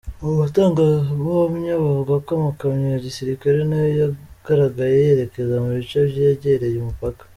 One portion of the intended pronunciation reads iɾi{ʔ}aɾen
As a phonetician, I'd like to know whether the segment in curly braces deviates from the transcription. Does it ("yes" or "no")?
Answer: yes